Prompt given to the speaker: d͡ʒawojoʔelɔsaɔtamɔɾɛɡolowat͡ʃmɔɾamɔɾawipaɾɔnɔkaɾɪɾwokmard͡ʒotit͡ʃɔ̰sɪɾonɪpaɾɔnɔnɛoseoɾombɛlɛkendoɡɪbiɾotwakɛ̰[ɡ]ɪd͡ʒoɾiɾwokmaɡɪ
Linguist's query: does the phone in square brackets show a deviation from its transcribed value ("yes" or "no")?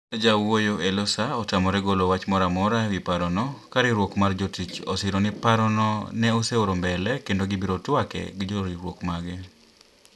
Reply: no